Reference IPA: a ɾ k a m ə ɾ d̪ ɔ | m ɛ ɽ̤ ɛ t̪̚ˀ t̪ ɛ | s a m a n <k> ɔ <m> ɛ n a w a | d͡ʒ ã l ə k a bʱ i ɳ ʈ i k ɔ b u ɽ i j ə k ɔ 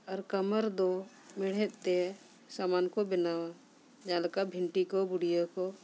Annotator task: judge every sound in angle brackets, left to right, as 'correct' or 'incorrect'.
correct, incorrect

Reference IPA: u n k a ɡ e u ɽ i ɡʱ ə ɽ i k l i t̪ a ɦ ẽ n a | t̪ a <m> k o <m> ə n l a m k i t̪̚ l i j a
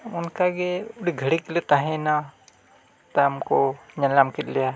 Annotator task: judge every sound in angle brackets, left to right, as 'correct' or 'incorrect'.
correct, incorrect

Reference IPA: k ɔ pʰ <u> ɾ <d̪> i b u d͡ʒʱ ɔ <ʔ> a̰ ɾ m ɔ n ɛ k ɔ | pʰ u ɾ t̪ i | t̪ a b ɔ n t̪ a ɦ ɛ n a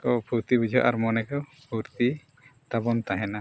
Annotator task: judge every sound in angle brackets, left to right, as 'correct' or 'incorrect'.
correct, incorrect, correct

